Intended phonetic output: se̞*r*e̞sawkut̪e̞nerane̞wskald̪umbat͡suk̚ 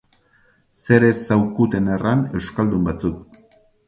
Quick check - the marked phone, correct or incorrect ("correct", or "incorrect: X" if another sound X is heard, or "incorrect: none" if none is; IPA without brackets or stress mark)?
incorrect: ɾ